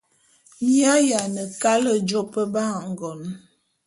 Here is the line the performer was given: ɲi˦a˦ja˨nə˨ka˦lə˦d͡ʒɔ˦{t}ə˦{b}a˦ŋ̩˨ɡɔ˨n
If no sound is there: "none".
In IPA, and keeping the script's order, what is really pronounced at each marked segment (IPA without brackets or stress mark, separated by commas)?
p, b